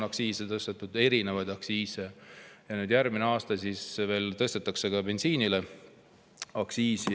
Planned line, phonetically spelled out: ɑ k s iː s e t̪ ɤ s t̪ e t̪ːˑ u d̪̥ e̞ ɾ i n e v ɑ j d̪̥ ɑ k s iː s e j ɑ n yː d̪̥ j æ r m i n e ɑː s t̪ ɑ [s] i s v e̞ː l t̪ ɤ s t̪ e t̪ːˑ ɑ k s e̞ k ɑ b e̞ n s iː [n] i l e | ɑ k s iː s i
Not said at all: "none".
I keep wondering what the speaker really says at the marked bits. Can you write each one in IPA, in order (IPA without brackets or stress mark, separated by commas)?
s, n